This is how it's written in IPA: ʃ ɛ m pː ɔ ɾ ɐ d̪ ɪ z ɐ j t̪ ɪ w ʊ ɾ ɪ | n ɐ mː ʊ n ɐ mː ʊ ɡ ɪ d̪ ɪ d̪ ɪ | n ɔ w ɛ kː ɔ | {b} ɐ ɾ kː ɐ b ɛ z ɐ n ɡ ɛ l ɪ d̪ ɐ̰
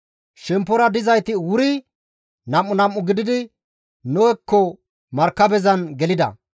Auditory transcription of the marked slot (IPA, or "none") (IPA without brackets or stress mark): m